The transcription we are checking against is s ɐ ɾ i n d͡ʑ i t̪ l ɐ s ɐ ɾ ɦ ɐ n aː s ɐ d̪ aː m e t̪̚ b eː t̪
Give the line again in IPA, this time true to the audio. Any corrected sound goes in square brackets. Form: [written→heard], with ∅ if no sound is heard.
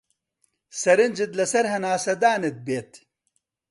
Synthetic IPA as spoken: s ɐ ɾ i n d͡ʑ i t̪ l ɐ s ɐ ɾ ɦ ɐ n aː s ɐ d̪ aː [m→n] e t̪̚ b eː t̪